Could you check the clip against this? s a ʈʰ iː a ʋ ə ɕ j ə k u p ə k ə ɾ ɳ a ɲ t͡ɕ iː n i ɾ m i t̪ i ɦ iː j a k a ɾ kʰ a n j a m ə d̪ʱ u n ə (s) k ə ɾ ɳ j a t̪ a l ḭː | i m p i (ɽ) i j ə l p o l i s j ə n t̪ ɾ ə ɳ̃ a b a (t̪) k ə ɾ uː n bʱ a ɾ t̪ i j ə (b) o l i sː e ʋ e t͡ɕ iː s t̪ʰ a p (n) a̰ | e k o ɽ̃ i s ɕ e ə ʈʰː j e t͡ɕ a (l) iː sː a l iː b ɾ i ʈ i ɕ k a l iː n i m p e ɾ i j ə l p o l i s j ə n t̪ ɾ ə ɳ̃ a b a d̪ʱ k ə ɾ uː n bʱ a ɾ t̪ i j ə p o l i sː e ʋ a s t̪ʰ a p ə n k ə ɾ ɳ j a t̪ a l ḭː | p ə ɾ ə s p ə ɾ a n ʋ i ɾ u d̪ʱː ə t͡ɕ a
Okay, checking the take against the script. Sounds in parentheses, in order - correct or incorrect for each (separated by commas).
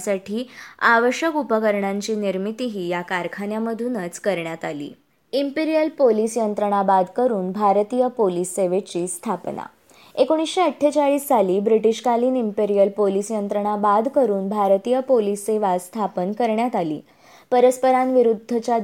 incorrect, incorrect, incorrect, incorrect, correct, incorrect